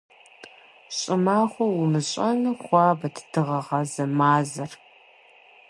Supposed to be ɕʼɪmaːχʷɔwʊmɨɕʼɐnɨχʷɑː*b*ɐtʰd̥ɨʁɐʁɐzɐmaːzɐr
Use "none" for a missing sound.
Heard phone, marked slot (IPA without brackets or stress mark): b